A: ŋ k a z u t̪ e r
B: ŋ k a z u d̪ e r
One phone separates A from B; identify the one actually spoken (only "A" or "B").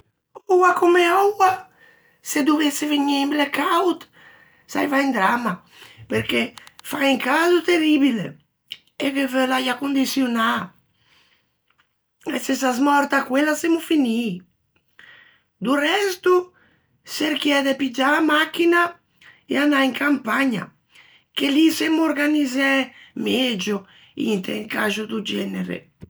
A